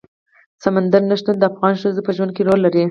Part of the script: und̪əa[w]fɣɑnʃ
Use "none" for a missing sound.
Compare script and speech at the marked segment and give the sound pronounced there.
none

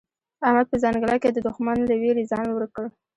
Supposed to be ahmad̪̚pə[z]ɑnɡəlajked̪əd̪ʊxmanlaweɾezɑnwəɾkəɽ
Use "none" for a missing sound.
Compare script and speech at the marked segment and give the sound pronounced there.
z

